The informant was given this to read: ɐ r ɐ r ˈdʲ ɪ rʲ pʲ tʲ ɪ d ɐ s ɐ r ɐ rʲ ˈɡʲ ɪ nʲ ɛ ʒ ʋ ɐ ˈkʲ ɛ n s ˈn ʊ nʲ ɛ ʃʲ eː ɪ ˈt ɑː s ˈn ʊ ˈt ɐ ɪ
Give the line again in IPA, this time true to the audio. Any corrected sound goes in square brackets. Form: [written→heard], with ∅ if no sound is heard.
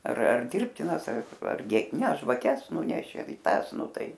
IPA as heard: ɐ r ɐ r ˈdʲ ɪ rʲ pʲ tʲ ɪ [d→n] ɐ s ɐ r ɐ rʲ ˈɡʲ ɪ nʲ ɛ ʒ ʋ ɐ ˈkʲ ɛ [n→∅] s ˈn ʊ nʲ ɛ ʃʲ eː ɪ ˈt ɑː s ˈn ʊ ˈt ɐ ɪ

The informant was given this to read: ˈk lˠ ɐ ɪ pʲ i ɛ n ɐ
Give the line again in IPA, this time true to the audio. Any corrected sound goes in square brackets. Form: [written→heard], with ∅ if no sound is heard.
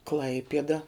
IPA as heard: ˈk lˠ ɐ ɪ pʲ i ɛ [n→d] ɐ

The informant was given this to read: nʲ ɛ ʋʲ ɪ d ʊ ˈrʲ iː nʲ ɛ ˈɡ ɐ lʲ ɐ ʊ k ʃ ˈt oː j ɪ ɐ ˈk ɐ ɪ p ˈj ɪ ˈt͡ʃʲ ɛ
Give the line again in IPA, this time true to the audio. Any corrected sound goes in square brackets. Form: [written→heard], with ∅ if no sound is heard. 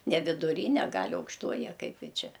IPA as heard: nʲ ɛ ʋʲ ɪ d ʊ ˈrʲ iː nʲ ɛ ˈɡ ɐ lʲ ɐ ʊ k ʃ ˈt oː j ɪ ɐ ˈk ɐ ɪ p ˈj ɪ ˈt͡ʃʲ ɛ

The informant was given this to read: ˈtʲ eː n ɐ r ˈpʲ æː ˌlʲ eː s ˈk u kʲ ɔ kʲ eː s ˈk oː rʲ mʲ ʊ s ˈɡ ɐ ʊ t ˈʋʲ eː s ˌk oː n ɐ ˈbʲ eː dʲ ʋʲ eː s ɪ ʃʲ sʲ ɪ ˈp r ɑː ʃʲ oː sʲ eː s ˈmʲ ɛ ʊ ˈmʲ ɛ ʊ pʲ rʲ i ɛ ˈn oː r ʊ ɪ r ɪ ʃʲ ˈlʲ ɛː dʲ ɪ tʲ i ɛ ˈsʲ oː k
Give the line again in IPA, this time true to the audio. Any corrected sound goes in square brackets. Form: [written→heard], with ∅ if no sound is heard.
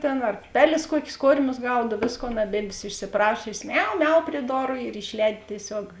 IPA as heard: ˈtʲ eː n ɐ r ˈpʲ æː ˌlʲ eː s ˈk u [kʲ→∅] ɔ kʲ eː s ˈk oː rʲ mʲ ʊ s ˈɡ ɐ ʊ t ˈʋʲ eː s ˌk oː n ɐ ˈbʲ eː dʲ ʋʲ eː s ɪ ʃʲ sʲ ɪ ˈp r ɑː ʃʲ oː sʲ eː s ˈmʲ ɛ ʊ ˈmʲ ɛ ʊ pʲ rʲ i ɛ [ˈn→ˈd] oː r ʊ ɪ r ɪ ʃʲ ˈlʲ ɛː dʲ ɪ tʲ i ɛ ˈsʲ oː k

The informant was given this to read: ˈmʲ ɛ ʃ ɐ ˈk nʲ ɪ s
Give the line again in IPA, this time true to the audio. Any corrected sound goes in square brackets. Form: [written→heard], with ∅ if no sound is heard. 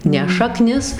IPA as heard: [ˈmʲ→ˈnʲ] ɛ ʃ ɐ ˈk nʲ ɪ s

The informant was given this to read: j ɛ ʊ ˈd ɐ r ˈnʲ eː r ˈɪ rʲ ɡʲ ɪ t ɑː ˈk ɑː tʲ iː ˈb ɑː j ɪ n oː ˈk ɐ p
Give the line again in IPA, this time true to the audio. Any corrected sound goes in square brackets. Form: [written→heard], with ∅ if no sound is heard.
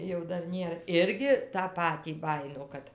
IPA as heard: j ɛ ʊ ˈd ɐ r ˈnʲ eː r ˈɪ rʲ ɡʲ ɪ t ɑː [ˈk→ˈp] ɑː tʲ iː ˈb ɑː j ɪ n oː ˈk ɐ [p→t]

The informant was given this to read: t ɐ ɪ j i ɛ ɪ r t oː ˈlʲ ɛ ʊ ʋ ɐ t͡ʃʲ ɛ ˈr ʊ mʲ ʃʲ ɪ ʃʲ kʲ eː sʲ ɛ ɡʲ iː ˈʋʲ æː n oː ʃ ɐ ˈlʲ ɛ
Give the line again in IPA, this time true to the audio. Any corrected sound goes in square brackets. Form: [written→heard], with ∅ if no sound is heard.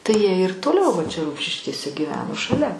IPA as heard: t ɐ ɪ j i ɛ ɪ r t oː ˈlʲ ɛ ʊ ʋ ɐ t͡ʃʲ ɛ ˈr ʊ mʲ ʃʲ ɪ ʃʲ kʲ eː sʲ ɛ ɡʲ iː ˈʋʲ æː n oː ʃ ɐ ˈlʲ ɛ

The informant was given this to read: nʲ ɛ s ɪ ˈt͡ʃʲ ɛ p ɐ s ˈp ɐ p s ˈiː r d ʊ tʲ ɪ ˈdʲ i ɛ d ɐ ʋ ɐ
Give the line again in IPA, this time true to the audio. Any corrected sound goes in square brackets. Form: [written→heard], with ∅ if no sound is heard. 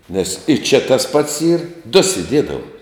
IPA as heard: nʲ ɛ s ɪ ˈt͡ʃʲ ɛ [p→t] ɐ s ˈp ɐ [p→t] s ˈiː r d ʊ [tʲ→sʲ] ɪ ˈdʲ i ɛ d ɐ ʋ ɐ

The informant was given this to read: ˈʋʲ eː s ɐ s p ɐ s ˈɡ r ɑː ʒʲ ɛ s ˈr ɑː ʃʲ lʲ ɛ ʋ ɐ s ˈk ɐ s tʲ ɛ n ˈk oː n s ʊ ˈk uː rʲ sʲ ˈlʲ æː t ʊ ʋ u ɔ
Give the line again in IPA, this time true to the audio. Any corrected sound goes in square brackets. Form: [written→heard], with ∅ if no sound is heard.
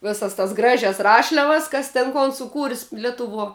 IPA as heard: ˈʋʲ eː s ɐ s [p→t] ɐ s ˈɡ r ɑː ʒʲ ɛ s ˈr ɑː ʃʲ lʲ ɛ ʋ ɐ s ˈk ɐ s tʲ ɛ n ˈk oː n s ʊ ˈk uː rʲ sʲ ˈlʲ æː t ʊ ʋ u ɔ

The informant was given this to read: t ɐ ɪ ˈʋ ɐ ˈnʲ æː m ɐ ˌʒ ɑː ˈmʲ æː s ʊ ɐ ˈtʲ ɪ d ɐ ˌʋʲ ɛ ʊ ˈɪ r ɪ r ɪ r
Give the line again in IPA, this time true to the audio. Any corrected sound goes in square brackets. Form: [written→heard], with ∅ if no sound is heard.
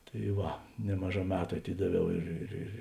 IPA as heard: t ɐ ɪ ˈʋ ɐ ˈnʲ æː m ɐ ˌʒ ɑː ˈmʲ æː [s→t] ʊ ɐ ˈtʲ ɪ d ɐ ˌʋʲ ɛ ʊ ˈɪ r ɪ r ɪ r

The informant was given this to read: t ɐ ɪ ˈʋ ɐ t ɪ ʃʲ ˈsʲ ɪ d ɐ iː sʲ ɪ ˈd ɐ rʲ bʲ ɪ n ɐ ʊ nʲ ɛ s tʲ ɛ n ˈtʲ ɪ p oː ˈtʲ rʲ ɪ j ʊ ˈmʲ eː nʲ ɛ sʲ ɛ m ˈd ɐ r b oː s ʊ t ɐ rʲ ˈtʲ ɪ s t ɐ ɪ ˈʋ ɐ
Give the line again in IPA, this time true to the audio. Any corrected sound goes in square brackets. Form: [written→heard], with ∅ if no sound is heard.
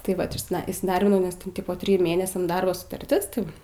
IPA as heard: t ɐ ɪ ˈʋ ɐ t ɪ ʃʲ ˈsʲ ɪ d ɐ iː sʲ ɪ ˈd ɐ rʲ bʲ ɪ n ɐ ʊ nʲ ɛ s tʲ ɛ n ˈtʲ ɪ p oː ˈtʲ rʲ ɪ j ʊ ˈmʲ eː nʲ ɛ sʲ ɛ m ˈd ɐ r b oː s ʊ t ɐ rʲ ˈtʲ ɪ s t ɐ ɪ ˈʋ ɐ

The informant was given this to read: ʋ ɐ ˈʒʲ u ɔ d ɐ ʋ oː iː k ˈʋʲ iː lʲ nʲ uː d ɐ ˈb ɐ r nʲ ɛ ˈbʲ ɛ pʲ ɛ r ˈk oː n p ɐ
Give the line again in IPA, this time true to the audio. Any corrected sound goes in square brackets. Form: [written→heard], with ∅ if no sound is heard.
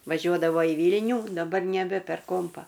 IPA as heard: ʋ ɐ ˈʒʲ u ɔ d ɐ ʋ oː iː [k→∅] ˈʋʲ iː lʲ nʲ uː d ɐ ˈb ɐ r nʲ ɛ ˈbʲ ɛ pʲ ɛ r ˈk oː [n→m] p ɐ

